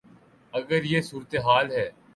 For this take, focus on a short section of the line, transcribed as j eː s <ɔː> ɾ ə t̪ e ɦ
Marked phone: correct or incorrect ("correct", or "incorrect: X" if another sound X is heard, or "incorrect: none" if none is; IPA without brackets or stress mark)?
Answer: incorrect: uː